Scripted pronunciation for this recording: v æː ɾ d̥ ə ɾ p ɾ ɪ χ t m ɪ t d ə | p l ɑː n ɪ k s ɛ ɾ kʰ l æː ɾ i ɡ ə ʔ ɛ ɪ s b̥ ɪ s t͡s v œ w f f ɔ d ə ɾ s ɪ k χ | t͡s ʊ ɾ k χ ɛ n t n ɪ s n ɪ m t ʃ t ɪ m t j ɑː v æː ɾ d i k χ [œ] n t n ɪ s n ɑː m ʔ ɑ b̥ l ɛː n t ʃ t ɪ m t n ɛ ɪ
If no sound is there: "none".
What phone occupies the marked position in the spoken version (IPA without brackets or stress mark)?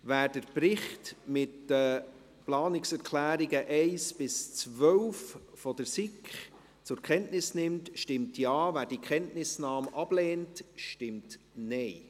ɛ